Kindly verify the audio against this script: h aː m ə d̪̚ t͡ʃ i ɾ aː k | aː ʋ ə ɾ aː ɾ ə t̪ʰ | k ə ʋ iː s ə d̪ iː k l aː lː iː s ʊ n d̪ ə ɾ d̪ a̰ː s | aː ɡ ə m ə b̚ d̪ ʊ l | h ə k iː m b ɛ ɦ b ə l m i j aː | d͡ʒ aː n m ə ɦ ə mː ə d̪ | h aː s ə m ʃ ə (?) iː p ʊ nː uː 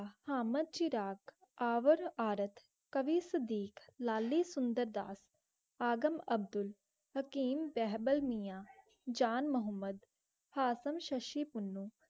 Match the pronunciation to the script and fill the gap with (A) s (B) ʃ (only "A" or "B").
B